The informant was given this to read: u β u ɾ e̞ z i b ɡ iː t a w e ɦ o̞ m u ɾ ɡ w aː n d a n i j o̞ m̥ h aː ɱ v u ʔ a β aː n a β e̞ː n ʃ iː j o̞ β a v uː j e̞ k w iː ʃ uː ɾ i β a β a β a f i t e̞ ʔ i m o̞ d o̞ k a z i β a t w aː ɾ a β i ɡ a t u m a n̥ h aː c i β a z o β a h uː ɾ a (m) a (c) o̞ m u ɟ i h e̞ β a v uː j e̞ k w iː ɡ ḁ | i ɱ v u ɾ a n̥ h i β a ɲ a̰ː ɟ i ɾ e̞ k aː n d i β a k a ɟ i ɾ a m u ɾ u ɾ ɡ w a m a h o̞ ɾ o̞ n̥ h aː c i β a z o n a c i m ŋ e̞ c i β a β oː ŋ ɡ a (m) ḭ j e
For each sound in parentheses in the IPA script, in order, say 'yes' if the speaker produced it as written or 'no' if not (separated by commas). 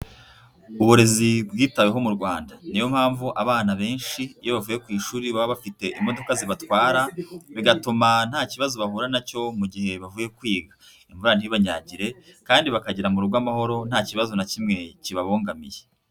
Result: no, yes, yes